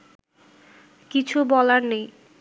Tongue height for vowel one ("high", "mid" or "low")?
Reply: high